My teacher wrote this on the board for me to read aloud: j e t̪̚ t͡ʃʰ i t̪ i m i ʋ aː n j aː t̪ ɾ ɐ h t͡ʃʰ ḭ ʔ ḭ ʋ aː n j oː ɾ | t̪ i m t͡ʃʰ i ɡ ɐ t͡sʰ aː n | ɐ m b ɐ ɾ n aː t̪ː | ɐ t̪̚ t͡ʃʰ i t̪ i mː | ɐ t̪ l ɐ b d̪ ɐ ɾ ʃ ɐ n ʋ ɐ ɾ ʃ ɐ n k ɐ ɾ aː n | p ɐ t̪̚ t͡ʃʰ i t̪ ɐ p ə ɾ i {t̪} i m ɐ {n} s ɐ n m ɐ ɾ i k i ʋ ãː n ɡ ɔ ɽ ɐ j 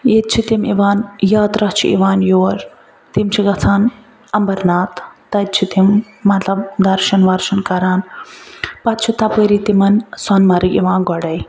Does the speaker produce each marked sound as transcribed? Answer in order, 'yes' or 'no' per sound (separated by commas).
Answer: yes, yes